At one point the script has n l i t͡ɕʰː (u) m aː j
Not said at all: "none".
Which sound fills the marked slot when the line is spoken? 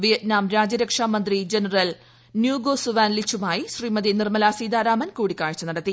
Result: u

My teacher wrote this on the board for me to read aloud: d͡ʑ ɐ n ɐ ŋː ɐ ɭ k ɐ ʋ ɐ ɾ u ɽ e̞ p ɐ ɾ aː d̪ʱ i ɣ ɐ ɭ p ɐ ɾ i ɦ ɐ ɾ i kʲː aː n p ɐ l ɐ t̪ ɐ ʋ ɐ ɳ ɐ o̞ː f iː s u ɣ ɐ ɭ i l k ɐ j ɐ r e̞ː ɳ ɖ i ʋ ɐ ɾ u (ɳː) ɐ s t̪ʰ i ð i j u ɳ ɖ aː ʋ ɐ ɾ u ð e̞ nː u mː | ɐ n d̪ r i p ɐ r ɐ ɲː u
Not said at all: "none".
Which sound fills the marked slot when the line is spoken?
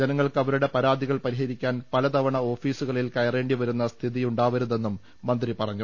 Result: nː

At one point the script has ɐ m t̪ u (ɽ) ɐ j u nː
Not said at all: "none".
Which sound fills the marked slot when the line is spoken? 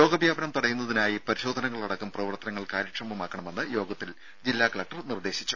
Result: ɽ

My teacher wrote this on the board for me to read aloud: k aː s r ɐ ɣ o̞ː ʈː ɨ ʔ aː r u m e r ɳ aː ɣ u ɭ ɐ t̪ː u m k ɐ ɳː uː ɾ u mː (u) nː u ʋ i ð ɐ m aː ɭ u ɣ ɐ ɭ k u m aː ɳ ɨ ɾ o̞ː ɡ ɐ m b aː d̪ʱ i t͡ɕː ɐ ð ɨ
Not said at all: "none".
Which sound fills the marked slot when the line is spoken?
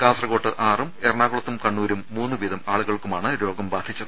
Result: uː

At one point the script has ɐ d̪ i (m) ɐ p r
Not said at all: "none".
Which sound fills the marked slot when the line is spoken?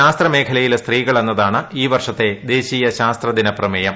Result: n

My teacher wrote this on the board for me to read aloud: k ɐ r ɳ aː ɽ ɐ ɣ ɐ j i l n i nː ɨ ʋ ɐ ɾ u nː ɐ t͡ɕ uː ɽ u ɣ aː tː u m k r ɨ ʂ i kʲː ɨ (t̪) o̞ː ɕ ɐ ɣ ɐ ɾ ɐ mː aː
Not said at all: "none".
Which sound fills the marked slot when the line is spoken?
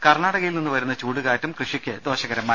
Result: d̪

